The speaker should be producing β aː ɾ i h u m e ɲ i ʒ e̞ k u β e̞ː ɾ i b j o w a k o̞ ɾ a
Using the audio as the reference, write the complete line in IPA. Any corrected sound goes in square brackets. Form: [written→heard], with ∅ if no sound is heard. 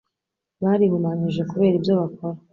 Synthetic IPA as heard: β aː ɾ i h u m [e→a] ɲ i ʒ e̞ k u β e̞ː ɾ i b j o [w→β] a k o̞ ɾ a